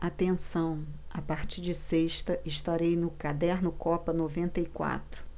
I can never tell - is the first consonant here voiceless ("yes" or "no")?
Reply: yes